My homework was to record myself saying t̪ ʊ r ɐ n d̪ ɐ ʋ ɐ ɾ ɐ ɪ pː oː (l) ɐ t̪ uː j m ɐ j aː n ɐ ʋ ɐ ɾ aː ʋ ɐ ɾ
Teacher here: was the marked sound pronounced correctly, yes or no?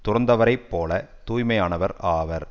yes